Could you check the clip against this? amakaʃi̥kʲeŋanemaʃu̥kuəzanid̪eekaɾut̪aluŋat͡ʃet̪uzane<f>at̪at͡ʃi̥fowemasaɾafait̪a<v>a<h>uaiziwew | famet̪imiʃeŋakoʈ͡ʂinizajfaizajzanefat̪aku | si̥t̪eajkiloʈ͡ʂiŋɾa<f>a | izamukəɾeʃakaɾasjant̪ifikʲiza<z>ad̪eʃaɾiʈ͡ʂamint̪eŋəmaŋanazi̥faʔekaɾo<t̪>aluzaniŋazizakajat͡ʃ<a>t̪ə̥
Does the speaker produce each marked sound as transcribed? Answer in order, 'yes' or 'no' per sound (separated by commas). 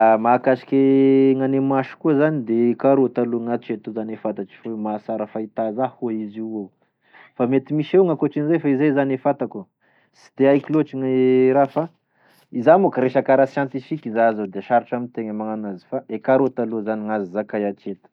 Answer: yes, no, yes, yes, yes, yes, no